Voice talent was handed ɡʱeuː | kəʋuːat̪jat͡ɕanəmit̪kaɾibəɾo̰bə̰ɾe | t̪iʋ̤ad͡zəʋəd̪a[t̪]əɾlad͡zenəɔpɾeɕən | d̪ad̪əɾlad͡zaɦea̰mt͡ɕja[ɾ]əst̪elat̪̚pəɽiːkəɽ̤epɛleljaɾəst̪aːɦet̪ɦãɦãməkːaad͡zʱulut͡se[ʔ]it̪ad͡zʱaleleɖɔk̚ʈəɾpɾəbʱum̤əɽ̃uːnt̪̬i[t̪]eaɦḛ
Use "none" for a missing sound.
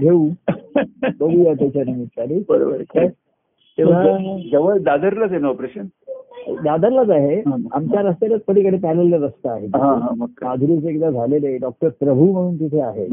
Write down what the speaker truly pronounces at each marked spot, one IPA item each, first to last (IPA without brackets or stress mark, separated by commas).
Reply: d̪, ɾ, k, t̪ʰ